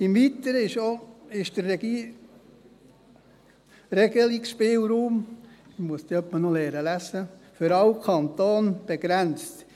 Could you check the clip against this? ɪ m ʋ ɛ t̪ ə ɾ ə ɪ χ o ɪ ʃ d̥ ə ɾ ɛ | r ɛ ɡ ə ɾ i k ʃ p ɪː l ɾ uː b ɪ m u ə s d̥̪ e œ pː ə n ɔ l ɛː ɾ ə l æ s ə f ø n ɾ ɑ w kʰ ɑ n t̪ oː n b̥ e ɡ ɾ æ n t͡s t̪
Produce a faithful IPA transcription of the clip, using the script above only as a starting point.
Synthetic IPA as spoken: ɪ m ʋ i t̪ ə ɾ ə ɪ ʃ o ɪ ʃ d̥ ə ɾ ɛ | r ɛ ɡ ə l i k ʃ p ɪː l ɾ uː m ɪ m u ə s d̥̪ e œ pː ə n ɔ l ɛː ɾ ə l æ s ə f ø ɾ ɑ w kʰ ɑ n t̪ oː n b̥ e ɡ ɾ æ n t͡s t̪